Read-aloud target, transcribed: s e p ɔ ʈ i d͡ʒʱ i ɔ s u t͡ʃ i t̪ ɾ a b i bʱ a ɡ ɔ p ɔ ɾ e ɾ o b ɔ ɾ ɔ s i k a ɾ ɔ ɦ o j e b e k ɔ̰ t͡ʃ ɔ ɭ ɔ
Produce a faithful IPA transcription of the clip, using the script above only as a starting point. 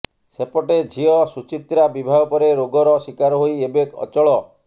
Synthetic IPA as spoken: s e p ɔ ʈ e d͡ʒʱ i ɔ s u t͡ʃ i t̪ ɾ a b i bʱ a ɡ ɔ p ɔ ɾ e ɾ o ɡ ɔ ɾ ɔ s i k a ɾ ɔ ɦ o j e b e k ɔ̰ t͡ʃ ɔ ɭ ɔ